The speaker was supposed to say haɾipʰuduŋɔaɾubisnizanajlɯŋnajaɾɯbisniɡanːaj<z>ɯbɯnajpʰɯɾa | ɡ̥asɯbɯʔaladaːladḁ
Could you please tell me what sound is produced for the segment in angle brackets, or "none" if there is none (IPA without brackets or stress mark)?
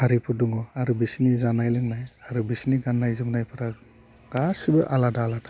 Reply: z